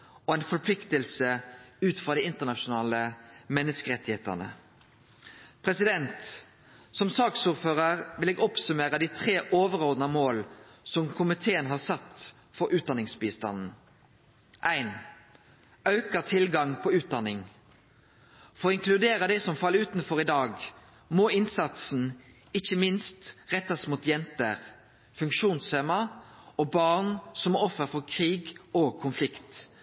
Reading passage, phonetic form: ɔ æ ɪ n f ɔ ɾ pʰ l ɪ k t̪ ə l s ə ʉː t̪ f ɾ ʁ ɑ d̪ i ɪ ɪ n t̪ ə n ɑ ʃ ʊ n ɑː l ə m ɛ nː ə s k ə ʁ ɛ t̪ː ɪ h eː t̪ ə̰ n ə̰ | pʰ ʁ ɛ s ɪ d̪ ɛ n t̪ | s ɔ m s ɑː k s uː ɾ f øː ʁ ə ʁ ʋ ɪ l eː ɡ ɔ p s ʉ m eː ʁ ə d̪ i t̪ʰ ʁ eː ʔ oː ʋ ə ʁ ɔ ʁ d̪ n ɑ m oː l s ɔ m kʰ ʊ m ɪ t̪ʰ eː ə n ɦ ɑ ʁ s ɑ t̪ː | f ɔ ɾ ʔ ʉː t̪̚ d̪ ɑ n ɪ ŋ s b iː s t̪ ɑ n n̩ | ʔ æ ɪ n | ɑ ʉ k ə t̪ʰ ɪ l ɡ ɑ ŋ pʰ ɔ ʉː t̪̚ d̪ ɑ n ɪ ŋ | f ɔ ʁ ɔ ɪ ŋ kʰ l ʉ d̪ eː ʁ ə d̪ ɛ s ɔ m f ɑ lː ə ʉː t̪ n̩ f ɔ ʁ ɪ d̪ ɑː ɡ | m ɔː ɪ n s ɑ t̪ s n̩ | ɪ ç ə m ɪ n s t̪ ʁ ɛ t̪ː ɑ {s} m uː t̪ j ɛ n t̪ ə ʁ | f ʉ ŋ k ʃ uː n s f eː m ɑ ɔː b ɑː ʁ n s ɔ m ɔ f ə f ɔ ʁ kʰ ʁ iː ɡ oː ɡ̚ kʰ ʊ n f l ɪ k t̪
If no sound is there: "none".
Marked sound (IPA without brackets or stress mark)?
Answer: s